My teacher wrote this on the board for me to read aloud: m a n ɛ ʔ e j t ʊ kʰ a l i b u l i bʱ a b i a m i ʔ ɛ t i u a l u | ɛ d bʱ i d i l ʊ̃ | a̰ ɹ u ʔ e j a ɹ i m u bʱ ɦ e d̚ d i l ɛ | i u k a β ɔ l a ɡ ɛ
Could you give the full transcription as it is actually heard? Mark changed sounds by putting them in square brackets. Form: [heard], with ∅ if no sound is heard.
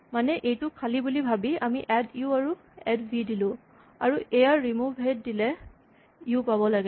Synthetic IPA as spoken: m a n ɛ ʔ e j t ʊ kʰ a l i b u l i bʱ a b i a m i ʔ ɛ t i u a [ɹ] u | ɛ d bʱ i d i l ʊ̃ | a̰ ɹ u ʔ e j a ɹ i m u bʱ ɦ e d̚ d i l ɛ | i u [p] a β ɔ l a ɡ ɛ